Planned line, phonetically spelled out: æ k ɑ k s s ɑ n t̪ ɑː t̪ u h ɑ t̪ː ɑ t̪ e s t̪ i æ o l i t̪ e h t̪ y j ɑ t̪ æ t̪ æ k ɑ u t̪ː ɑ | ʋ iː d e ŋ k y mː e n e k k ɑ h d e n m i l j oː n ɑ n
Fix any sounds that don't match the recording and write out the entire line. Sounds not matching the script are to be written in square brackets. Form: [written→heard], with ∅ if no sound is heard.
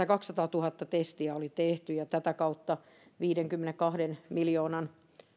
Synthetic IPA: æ k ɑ k s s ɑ [n→∅] t̪ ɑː t̪ u h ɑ t̪ː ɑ t̪ e s t̪ i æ o l i t̪ e h t̪ y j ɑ t̪ æ t̪ æ k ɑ u t̪ː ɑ | ʋ iː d e ŋ k y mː e n e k k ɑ h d e n m i l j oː n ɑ n